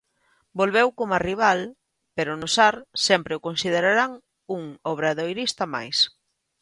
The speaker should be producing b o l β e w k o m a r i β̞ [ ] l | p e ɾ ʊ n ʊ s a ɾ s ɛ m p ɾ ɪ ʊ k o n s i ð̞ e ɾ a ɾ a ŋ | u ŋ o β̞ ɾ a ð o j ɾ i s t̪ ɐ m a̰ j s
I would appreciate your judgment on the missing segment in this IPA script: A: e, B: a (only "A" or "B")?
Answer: B